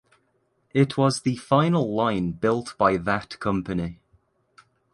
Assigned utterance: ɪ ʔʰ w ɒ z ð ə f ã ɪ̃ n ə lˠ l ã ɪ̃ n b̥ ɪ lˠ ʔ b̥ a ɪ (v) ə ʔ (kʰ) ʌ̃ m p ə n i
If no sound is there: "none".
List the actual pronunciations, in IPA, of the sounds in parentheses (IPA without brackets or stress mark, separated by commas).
ð, kʰ